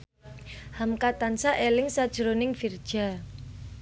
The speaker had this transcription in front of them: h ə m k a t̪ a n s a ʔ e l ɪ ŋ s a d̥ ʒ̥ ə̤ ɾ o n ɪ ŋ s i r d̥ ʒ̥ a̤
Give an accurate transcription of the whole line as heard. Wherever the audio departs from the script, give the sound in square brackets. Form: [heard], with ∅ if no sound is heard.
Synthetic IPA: h [a] m k a t̪ a n s a ʔ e l ɪ ŋ s a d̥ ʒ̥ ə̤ ɾ o n ɪ ŋ [f] i r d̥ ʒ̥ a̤